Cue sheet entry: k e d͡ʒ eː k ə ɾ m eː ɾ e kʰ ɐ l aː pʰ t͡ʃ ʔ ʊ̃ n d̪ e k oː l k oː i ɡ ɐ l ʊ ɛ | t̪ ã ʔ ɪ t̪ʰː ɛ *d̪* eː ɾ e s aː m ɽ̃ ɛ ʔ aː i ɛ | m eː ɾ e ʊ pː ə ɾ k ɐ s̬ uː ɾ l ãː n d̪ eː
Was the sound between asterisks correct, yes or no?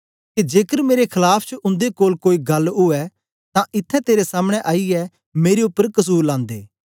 no